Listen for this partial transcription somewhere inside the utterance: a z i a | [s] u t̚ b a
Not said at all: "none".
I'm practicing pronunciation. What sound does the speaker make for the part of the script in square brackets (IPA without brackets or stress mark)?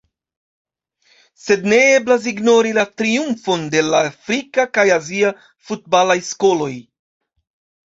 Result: f